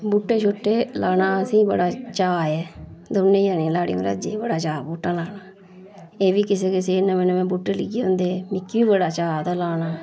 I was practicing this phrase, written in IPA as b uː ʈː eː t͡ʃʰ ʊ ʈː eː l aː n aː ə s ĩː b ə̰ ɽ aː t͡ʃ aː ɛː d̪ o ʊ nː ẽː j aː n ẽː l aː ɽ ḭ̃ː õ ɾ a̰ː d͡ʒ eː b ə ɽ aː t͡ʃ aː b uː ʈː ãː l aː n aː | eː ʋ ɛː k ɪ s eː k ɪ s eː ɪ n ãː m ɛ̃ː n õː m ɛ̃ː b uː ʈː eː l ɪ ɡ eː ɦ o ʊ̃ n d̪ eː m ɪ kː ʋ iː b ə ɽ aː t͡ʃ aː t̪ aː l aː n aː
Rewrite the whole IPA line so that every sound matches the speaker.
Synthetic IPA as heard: b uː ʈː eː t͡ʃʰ ʊ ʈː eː l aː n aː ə s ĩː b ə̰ ɽ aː t͡ʃ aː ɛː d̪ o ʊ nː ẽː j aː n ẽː l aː ɽ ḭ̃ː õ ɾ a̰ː d͡ʒ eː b ə ɽ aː t͡ʃ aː b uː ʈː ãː l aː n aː | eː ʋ iː k ɪ s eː k ɪ s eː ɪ n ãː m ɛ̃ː n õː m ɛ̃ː b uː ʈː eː l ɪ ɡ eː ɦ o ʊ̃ n d̪ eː m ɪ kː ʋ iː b ə ɽ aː t͡ʃ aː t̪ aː l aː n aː